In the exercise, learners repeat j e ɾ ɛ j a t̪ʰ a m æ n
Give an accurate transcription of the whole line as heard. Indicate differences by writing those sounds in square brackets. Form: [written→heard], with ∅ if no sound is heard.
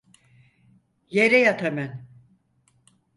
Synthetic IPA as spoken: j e ɾ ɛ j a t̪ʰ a m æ n